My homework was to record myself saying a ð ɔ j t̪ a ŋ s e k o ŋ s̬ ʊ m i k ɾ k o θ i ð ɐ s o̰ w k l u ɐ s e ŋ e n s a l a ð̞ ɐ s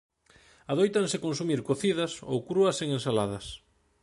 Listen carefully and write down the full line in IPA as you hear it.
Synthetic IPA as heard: a ð o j t̪ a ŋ s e k o n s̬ u m i ɾ k o θ i ð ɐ s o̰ w k ɾ u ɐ s e ŋ e n s a l a ð̞ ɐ s